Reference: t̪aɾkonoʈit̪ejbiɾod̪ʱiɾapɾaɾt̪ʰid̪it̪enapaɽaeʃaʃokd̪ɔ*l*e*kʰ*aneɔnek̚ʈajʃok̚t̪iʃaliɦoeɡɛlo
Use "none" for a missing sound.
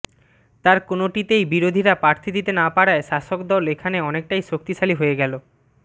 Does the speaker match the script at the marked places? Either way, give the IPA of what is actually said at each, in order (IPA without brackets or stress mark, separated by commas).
l, kʰ